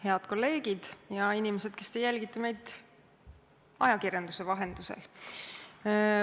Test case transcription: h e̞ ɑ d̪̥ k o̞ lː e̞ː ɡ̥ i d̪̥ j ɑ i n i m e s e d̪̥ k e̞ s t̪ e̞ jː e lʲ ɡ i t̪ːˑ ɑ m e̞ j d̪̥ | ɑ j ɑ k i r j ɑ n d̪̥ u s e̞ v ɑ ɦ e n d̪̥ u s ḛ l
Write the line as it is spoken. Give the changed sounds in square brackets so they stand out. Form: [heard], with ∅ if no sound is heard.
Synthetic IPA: h e̞ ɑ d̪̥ k o̞ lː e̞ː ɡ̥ i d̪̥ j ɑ i n i m e s e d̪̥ k e̞ s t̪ e̞ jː [æ] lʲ ɡ i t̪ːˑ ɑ m e̞ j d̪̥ | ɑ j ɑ k i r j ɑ n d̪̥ u s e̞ v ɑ ɦ e n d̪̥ u s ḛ l